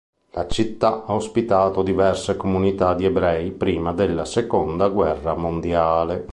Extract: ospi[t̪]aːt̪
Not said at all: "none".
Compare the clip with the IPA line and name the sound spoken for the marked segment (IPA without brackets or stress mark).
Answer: t̪